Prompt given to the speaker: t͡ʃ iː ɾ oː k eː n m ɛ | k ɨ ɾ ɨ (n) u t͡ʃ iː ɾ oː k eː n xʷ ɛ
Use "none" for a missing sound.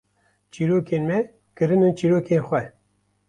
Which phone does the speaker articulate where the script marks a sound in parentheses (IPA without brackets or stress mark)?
n